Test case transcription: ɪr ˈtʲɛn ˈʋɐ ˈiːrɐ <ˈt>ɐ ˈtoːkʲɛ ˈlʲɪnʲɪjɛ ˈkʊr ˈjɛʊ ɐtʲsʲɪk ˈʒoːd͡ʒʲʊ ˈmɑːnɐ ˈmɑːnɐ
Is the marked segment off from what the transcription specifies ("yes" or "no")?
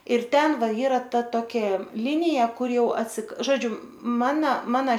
no